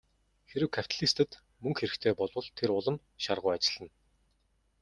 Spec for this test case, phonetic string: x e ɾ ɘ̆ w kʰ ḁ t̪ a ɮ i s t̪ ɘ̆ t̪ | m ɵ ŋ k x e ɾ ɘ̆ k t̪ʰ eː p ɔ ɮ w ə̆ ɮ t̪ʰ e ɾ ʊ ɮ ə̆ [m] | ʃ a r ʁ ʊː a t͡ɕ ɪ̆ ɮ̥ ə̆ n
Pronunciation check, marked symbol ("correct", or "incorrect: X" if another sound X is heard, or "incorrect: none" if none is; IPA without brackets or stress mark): correct